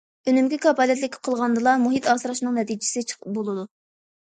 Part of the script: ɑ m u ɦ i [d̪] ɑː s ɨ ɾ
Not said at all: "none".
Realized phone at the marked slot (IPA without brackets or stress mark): t̪